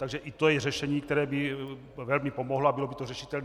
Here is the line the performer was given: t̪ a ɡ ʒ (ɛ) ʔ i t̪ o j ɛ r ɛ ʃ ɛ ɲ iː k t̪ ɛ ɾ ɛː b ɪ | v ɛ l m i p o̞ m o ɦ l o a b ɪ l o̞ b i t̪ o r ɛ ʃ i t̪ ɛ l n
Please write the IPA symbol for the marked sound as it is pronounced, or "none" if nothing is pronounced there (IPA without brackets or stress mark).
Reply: ɛ